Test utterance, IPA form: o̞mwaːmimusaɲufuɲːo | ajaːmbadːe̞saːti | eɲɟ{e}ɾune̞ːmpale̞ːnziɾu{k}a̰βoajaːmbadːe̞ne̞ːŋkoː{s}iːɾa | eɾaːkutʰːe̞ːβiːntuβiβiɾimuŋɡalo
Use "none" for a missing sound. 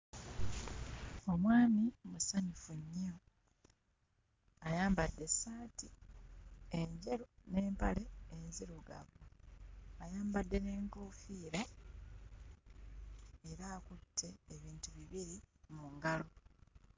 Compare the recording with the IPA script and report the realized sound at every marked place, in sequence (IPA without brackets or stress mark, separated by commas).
e, ɡ, f